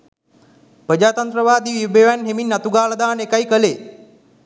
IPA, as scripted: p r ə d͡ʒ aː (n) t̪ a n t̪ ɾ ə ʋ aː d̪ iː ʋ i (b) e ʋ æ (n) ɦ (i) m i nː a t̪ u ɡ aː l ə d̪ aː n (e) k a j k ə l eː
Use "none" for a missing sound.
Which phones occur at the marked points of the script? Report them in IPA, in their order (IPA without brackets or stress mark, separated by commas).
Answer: none, b, n, e, e